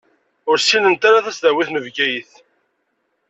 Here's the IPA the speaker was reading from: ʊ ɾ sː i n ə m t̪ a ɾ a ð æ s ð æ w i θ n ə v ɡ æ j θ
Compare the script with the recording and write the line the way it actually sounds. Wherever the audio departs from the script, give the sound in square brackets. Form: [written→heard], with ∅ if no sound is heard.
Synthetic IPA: ʊ ɾ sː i n ə [m→n] t̪ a ɾ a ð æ s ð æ w i θ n ə v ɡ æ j θ